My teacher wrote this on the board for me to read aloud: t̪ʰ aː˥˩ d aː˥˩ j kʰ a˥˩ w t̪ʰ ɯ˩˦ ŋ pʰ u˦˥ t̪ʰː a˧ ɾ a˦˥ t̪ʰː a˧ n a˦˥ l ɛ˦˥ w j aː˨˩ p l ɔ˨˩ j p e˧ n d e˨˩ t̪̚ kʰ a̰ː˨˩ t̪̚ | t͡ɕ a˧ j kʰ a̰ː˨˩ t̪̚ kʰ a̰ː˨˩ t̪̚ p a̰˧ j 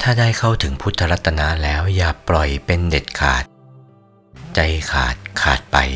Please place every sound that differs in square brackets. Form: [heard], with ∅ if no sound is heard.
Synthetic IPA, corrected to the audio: t̪ʰ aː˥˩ d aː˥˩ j kʰ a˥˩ w t̪ʰ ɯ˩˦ ŋ pʰ u˦˥ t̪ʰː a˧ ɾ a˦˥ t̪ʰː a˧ n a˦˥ l [ɛː˦˥] w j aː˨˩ p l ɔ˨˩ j p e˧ n d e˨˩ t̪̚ kʰ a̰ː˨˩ t̪̚ | t͡ɕ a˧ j kʰ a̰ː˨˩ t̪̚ kʰ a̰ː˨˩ t̪̚ p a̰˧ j